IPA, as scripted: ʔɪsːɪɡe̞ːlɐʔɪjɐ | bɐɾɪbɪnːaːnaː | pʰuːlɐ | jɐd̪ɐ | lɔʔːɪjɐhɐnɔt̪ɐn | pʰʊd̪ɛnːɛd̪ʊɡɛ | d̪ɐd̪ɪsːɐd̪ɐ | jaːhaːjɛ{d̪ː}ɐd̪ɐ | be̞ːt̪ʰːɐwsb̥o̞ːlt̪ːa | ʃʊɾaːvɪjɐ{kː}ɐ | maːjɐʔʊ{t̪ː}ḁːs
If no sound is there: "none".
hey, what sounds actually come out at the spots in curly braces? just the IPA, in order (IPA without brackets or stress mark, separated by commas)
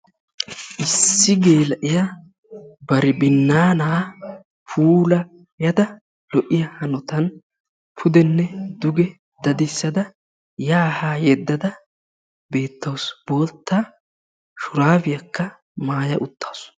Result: d̪ː, kː, t̪ː